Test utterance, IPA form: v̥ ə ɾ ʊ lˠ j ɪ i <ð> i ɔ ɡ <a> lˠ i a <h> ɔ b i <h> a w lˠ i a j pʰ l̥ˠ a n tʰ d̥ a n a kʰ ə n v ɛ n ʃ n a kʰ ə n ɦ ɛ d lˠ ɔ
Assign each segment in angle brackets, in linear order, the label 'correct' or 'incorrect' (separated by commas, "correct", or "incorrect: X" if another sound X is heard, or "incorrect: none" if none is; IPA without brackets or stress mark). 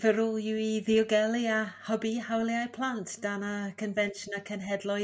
correct, incorrect: ɛ, correct, correct